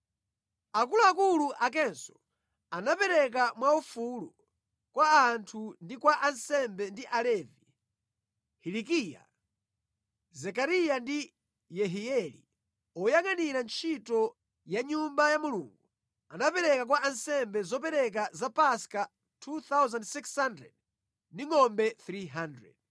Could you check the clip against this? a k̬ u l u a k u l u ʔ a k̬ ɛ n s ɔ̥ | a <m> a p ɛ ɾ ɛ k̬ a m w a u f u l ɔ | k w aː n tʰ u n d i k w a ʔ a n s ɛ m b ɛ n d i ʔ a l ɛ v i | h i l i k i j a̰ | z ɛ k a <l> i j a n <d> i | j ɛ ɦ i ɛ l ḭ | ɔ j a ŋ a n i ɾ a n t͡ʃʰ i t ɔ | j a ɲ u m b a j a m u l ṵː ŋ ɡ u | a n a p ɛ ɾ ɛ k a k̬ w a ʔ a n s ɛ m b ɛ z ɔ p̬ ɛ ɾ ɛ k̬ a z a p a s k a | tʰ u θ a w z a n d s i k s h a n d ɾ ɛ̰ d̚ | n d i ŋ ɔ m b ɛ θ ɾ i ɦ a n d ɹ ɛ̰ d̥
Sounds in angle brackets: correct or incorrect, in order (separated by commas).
incorrect, incorrect, correct